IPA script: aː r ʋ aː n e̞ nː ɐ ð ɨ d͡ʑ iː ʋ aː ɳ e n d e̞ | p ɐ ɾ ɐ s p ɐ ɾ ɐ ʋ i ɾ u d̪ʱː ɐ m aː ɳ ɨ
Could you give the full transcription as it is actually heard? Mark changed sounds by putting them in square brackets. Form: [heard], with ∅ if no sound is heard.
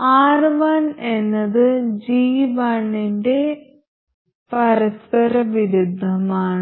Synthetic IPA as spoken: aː r ʋ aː n e̞ nː ɐ ð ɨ d͡ʑ iː ʋ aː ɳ [i] n d e̞ | p ɐ ɾ ɐ s p ɐ ɾ ɐ ʋ i ɾ u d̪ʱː ɐ m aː ɳ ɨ